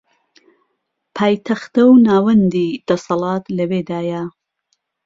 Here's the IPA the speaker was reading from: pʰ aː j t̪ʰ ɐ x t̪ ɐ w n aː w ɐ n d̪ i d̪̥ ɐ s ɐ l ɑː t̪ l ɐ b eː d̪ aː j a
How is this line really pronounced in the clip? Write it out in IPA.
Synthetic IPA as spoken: pʰ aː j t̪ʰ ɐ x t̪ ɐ w n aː w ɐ n d̪ i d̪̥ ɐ s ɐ l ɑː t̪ l ɐ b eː d̪ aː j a